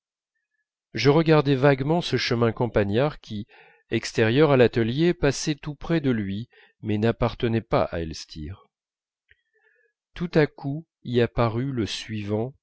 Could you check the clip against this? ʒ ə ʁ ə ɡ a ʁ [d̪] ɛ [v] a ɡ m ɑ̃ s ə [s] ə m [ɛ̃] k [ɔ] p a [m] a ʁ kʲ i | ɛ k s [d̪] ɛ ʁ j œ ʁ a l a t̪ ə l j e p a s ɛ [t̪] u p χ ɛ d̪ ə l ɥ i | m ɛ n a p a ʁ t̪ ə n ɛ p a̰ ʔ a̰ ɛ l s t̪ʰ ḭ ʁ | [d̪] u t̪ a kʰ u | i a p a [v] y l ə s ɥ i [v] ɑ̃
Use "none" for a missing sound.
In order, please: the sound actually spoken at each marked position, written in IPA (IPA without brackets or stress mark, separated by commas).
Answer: d̪, v, ʃ, ɛ̃, ɔ̃, ɲ, t̪, t̪, t̪, ʁ, v